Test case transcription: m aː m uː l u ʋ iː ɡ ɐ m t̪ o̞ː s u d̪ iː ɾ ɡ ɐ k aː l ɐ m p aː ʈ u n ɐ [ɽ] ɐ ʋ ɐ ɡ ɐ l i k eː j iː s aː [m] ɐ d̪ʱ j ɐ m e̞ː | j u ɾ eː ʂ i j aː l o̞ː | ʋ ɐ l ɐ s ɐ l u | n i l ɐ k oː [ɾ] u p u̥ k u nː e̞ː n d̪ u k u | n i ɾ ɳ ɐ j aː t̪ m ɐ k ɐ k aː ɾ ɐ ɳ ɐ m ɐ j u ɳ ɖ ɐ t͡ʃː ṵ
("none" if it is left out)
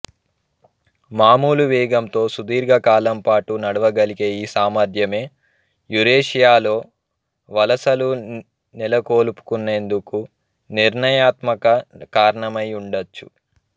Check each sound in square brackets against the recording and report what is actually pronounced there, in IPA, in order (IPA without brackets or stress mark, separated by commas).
ɽ, m, l